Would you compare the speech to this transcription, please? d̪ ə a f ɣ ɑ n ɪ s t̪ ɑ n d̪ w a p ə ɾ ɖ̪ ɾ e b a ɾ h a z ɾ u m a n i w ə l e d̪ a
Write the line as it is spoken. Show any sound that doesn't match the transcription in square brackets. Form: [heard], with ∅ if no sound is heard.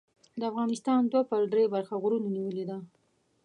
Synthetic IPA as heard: d̪ ə a f ɣ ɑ n ɪ s t̪ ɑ n d̪ w a p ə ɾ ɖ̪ ɾ e b a ɾ [x] a [ɣ] ɾ u [n] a n i w ə l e d̪ a